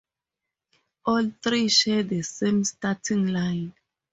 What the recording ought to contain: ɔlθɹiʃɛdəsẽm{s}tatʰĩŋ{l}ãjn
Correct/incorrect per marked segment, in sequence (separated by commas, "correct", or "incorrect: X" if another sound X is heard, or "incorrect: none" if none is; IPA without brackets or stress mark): correct, correct